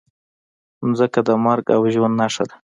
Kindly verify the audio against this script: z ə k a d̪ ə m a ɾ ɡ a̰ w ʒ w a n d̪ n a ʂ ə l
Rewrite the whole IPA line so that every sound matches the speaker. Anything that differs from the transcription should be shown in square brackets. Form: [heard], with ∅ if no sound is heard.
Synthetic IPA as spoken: z ə k a d̪ ə m a ɾ ɡ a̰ w ʒ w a n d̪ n a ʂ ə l